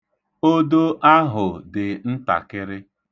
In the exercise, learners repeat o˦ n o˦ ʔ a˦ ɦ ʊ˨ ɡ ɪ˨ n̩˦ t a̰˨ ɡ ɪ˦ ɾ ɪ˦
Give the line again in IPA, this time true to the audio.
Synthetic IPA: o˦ d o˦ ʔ a˦ ɦ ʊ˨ d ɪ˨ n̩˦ t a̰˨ k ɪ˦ ɾ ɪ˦